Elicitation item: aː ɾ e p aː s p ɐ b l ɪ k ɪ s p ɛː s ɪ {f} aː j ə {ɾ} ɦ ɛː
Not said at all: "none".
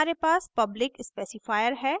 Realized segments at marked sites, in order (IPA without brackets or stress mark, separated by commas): f, ɾ